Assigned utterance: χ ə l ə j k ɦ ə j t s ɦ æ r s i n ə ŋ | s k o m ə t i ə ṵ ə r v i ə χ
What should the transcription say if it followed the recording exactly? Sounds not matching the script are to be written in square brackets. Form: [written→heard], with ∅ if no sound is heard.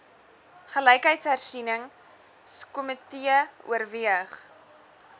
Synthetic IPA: χ ə l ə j k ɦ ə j t s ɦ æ r s i n ə ŋ | s k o m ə t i ə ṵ ə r v i ə χ